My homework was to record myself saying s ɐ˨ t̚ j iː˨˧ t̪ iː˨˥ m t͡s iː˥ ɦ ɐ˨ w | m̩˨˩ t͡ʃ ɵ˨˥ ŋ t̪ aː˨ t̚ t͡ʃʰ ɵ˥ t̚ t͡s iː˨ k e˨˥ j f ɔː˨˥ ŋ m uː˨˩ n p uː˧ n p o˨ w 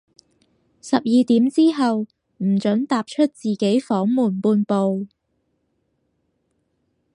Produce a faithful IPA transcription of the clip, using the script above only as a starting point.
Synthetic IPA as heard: s ɐ˨ p̚ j iː˨˧ t̪ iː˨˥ m t͡s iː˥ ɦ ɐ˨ w | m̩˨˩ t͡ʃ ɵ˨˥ ŋ t̪ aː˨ p̚ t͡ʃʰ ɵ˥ t̚ t͡s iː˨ k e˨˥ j f ɔː˨˥ ŋ m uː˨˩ n p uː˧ n p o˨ w